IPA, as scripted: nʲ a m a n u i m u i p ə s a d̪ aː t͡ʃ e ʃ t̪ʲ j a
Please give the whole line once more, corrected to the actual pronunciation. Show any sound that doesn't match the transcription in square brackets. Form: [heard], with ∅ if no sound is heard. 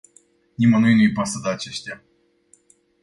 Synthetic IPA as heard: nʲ [i] m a n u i [n] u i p [a] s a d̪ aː t͡ʃ e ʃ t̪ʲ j a